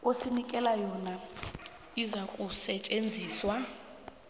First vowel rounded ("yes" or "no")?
yes